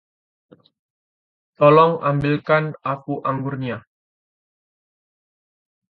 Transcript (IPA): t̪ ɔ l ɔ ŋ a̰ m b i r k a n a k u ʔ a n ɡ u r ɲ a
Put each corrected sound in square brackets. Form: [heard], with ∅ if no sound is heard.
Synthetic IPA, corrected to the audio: t̪ ɔ l ɔ ŋ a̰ m b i [l] k a n a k u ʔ a [ŋ] ɡ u r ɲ a